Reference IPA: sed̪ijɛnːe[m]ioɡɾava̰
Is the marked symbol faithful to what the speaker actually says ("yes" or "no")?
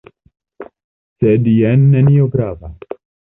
no